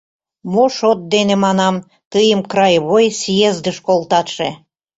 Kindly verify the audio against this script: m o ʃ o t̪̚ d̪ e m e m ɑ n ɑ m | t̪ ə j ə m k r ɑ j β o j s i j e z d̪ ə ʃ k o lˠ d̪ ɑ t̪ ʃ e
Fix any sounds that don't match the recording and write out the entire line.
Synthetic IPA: m o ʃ o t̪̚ d̪ e n e m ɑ n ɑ m | t̪ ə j ə m k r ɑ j β o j s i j e z d̪ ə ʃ k o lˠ t̪ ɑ t̪ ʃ e